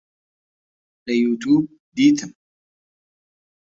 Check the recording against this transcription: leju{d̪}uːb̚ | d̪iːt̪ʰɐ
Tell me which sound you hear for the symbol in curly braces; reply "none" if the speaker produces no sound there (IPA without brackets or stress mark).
t̪